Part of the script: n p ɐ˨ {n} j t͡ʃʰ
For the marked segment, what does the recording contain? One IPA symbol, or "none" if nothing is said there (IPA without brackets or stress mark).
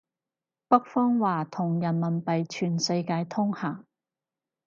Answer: none